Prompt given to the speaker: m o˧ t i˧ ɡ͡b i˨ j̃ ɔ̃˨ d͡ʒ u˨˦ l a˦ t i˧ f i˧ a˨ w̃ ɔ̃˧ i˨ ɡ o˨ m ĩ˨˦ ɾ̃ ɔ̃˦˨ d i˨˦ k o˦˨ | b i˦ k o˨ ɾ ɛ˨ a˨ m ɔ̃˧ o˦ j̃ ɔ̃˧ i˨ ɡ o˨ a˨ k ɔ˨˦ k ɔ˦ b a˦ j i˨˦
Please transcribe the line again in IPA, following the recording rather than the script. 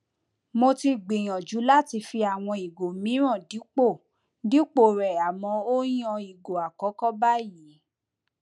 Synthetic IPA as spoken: m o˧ t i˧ ɡ͡b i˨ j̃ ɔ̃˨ d͡ʒ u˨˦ l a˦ t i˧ f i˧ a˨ w̃ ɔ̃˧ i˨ ɡ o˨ m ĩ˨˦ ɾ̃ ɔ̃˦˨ d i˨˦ k͡p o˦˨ | d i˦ k͡p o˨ ɾ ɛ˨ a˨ m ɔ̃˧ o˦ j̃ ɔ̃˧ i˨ ɡ o˨ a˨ k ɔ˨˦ k ɔ˦ b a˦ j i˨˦

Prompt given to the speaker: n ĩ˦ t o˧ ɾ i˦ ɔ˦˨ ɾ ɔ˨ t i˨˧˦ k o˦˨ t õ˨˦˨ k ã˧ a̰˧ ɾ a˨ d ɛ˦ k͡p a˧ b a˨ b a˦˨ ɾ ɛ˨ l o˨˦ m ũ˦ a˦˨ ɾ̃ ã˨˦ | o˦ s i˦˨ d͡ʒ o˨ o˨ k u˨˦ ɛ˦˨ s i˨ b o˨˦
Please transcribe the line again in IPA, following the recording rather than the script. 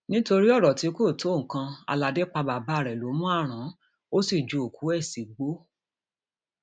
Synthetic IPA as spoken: n ĩ˦ t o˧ ɾ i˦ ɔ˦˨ ɾ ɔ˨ t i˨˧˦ k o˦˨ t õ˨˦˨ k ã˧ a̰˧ l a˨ d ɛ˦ k͡p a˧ b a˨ b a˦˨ ɾ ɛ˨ l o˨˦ m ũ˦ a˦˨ ɾ̃ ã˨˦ | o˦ s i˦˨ d͡ʒ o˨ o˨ k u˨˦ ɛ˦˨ s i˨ ɡ͡b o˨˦

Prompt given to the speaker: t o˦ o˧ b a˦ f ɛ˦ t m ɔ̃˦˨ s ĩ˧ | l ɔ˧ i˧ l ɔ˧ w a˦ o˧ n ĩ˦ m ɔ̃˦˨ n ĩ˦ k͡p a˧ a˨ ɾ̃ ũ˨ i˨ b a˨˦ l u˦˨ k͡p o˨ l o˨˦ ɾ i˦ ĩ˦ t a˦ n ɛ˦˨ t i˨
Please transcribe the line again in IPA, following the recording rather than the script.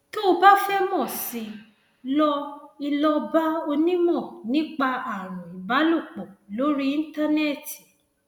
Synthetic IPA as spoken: t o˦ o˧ b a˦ f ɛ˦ m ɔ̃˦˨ s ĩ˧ | l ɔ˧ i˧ l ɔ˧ b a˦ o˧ n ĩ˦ m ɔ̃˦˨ n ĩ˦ k͡p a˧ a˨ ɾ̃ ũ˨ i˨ b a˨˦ l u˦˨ k͡p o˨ l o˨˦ ɾ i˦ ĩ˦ t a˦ n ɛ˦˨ t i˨

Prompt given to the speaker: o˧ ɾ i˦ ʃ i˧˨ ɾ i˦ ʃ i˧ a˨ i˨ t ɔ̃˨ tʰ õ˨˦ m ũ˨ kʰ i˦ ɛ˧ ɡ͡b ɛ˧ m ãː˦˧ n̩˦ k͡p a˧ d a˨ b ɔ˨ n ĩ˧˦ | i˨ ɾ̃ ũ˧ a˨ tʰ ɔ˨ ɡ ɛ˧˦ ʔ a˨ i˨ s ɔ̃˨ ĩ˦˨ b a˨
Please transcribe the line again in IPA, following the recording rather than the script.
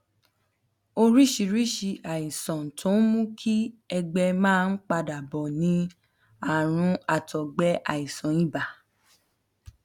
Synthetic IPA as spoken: o˧ ɾ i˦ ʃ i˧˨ ɾ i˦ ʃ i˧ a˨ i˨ s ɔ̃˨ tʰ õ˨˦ m ũ˦ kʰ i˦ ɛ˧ ɡ͡b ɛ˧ m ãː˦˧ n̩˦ k͡p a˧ d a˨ b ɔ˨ n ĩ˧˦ | a˨ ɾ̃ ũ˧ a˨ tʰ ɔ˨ ɡ͡b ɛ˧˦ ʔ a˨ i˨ s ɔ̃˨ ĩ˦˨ b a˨

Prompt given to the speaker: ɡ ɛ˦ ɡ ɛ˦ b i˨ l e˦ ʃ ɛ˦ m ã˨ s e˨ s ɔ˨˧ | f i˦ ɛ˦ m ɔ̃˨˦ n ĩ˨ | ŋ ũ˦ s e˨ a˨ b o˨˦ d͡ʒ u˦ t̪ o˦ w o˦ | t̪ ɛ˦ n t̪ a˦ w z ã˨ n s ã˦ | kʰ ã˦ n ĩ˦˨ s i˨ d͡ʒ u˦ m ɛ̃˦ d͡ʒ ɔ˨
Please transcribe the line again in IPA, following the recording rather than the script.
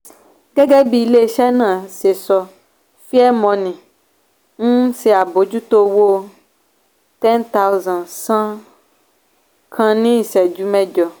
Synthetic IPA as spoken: ɡ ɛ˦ ɡ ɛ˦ b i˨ l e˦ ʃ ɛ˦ n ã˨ s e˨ s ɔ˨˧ | f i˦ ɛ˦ m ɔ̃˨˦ n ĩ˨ | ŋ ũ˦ s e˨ a˨ b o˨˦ d͡ʒ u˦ t̪ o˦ w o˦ | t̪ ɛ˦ n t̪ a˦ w z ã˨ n s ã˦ | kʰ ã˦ n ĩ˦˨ s ɛ˨ d͡ʒ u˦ m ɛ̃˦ d͡ʒ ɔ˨

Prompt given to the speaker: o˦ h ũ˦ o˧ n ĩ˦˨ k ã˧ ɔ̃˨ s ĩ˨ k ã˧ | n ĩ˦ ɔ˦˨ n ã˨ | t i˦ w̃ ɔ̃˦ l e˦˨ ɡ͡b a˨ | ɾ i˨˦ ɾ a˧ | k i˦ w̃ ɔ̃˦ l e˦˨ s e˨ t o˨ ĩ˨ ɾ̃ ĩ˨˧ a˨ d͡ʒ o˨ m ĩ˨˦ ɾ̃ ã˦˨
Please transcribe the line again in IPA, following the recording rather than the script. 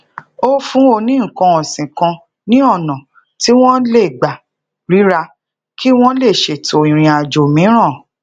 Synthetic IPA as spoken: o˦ f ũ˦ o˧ n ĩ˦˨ k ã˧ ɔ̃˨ s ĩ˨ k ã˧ | n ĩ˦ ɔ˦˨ n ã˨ | t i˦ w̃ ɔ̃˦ l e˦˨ ɡ͡b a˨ | ɾ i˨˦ ɾ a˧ | k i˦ w̃ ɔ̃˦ l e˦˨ ʃ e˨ t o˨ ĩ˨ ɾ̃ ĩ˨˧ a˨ d͡ʒ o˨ m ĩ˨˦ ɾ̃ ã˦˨

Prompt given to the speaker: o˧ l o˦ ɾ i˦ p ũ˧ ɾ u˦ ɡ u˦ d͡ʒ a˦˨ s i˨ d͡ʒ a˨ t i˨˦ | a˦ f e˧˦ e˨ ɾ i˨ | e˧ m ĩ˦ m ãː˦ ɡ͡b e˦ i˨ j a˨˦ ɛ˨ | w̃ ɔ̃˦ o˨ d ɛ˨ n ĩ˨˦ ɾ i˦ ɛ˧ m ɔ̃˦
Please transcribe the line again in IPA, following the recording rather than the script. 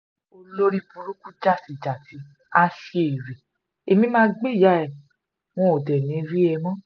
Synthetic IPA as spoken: o˧ l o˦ ɾ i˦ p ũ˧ ɾ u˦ k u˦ d͡ʒ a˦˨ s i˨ d͡ʒ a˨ t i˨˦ | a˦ ʃ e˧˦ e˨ ɾ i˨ | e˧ m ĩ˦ m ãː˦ ɡ͡b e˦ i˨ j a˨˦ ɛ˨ | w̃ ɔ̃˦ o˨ d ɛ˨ n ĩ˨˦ ɾ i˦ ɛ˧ m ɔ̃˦

